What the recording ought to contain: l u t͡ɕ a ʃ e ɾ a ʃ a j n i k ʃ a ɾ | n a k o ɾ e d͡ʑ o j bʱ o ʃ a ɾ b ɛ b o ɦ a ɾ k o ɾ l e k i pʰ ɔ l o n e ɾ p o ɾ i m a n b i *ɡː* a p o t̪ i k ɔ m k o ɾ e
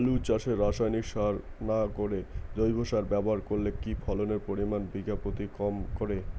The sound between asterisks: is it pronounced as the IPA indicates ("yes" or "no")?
no